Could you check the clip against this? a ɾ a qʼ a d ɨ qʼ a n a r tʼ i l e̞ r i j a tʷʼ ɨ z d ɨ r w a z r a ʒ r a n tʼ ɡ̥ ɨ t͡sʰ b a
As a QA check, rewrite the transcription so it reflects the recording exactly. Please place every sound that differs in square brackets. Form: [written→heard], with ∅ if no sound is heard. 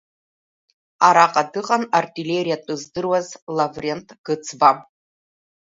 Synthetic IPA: a ɾ a qʼ a d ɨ qʼ a n a r tʼ i l e̞ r i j a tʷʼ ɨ z d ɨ r w a z [r→l] a [ʒ→v] r [a→e] n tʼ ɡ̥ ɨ t͡sʰ b a